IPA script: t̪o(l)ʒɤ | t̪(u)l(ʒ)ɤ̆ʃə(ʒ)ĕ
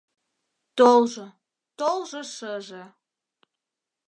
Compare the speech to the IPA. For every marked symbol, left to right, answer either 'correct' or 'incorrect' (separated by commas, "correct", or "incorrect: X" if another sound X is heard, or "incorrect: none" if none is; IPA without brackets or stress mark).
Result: correct, incorrect: o, correct, correct